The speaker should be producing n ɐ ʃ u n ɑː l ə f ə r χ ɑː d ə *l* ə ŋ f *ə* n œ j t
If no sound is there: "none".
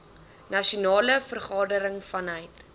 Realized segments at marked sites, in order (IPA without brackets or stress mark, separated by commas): ɾ, ɐ